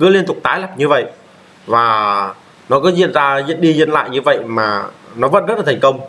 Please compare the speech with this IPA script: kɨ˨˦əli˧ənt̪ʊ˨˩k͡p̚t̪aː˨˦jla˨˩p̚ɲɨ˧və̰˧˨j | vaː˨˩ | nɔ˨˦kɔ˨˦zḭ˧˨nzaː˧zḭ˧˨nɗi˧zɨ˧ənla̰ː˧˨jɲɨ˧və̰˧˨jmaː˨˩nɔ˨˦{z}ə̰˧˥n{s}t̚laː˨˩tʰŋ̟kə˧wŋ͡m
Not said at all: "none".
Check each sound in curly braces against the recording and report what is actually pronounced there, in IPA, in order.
v, z

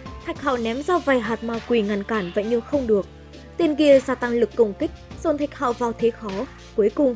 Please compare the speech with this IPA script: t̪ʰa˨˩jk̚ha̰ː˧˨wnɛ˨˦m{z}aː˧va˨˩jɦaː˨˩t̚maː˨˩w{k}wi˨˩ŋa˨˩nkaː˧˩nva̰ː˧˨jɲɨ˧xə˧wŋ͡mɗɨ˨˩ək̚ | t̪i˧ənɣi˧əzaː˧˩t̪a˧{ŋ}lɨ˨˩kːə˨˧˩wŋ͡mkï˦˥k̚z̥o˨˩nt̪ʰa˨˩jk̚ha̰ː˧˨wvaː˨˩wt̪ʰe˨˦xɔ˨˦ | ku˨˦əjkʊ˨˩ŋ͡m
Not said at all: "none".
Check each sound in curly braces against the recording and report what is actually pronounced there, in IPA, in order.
z, k, ŋ

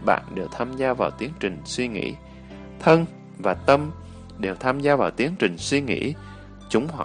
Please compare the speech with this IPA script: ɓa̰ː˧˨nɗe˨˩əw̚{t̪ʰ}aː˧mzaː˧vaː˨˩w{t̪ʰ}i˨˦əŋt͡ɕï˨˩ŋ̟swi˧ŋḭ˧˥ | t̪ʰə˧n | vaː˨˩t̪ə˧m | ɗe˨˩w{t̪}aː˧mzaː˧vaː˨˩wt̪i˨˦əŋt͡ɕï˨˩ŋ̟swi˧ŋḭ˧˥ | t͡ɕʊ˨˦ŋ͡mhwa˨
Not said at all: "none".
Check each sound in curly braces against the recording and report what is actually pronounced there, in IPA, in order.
t̪ʰ, t̪, t̪ʰ

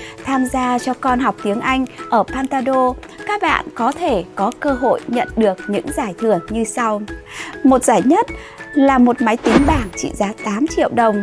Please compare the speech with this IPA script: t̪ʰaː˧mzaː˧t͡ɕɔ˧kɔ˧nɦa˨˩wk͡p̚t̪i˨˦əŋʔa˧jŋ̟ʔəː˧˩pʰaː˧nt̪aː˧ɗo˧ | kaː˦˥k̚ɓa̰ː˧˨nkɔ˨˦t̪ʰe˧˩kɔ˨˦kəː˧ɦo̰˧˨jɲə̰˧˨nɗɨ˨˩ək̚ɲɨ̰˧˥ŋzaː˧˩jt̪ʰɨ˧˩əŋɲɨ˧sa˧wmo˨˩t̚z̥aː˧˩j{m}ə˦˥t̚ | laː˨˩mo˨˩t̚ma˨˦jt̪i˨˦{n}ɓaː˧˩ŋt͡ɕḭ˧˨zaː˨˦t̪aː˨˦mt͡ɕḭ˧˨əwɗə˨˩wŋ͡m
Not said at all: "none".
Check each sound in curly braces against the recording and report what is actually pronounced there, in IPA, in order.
ɲ, ŋ

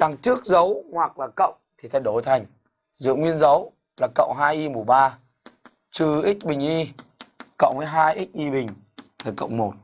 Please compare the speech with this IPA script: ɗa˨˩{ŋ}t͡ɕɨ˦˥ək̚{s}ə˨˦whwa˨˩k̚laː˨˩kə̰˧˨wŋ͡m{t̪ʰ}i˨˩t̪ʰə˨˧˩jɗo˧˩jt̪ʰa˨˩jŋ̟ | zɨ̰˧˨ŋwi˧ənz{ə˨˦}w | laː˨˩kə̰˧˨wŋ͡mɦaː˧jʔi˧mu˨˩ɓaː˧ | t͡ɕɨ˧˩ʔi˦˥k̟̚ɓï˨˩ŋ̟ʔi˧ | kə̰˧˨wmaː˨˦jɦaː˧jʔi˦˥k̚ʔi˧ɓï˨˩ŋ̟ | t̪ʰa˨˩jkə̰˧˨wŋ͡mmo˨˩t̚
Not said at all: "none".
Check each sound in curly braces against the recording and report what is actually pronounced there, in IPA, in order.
ŋ, z, t̪ʰ, ə˨˦

